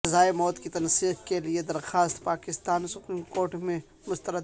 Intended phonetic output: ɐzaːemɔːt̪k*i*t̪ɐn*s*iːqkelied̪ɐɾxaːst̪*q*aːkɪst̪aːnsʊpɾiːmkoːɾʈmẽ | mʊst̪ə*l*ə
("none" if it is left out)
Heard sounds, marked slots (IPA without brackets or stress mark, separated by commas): i, s, p, ɾ